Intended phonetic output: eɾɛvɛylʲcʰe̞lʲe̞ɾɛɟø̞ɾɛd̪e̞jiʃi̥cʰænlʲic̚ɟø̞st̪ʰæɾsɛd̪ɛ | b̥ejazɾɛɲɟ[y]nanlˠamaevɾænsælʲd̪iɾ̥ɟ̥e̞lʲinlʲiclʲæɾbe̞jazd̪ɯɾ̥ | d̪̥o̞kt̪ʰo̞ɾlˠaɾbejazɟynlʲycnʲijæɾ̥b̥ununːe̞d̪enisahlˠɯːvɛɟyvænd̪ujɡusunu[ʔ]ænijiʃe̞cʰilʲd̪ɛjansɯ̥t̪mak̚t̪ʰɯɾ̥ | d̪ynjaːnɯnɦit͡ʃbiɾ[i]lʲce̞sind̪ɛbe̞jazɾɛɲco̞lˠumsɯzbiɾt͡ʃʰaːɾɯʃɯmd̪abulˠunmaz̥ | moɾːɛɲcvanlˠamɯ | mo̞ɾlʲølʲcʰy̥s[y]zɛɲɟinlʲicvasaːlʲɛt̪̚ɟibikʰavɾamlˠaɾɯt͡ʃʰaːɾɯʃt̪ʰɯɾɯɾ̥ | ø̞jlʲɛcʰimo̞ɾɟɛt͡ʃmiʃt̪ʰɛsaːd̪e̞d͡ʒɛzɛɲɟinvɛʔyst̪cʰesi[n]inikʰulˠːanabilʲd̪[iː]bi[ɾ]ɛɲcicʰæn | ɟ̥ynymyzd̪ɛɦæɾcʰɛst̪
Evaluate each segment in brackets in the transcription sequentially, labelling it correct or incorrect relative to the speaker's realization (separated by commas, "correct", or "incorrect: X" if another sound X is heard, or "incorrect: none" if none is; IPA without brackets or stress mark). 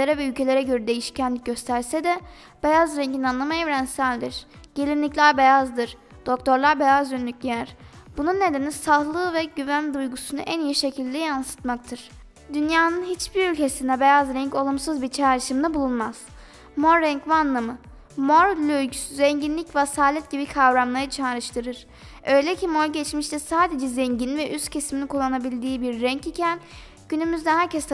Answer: incorrect: i, correct, incorrect: y, correct, incorrect: m, correct, incorrect: ɾː